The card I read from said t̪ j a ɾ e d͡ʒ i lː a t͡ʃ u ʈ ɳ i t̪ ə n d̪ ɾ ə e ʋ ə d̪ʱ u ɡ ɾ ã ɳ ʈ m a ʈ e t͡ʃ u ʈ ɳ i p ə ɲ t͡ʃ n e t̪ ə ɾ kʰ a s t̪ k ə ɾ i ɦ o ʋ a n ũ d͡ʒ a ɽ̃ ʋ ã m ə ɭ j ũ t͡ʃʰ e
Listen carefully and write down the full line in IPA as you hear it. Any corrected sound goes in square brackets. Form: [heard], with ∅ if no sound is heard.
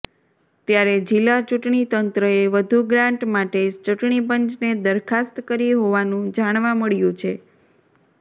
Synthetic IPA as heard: t̪ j a ɾ e d͡ʒ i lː a t͡ʃ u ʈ ɳ i t̪ ə n [t̪] ɾ ə e ʋ ə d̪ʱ u ɡ ɾ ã ɳ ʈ m a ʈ e t͡ʃ u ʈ ɳ i p ə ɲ t͡ʃ n e [d̪] ə ɾ kʰ a s t̪ k ə ɾ i ɦ o ʋ a n ũ d͡ʒ a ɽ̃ ʋ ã m ə ɭ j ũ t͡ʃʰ e

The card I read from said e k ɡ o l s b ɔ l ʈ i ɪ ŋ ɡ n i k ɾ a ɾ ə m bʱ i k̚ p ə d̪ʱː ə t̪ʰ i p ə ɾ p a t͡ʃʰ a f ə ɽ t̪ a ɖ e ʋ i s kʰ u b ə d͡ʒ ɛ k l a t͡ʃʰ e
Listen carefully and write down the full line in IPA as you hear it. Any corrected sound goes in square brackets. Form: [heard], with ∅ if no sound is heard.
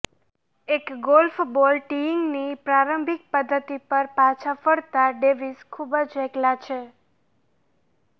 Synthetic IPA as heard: e k ɡ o l [f] b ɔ l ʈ i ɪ ŋ ɡ n i [p] ɾ a ɾ ə m bʱ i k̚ p ə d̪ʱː ə [t̪] i p ə ɾ p a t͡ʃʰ a f ə ɽ t̪ a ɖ e ʋ i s kʰ u b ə d͡ʒ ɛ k l a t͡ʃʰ e

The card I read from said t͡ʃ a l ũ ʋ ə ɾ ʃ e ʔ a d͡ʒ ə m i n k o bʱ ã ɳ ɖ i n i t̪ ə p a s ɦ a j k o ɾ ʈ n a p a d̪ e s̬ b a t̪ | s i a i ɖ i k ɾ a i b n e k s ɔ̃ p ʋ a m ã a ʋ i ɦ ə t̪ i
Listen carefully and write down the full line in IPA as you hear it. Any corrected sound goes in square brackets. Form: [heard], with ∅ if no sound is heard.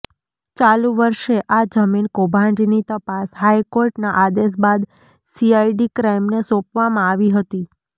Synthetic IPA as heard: t͡ʃ a l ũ ʋ ə ɾ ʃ e ʔ a d͡ʒ ə m i n k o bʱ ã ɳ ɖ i n i t̪ ə p a s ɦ a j k o ɾ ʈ n a [ʔ] a d̪ e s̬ b a [d̪] | s i a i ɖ i k ɾ a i [m] n e [∅] s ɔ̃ p ʋ a m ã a ʋ i ɦ ə t̪ i

